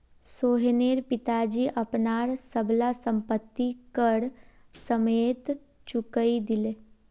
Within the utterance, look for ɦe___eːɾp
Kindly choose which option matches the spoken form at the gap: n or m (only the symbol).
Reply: n